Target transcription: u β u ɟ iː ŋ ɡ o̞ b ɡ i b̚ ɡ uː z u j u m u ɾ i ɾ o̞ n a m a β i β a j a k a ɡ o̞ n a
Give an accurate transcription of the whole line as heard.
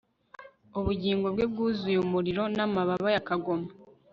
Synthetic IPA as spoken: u β u ɟ iː ŋ ɡ o̞ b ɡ e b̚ ɡ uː z u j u m u ɾ i ɾ o̞ n a m a β a β a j a k a ɡ o̞ m a